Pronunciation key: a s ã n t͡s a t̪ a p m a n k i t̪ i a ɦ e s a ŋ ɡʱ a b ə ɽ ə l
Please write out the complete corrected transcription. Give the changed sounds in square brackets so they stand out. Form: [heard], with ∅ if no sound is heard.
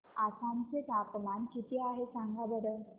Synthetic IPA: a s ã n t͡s [e] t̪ a p m a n k i t̪ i a ɦ e s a ŋ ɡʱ a b ə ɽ ə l